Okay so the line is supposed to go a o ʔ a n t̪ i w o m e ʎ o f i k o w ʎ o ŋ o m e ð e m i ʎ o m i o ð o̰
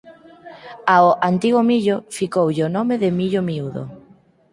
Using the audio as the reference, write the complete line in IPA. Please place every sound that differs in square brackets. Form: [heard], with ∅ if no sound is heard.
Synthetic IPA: a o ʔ a n t̪ i [ɣ] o m [i] ʎ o f i k o w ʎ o [n] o m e ð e m i ʎ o m i [u] ð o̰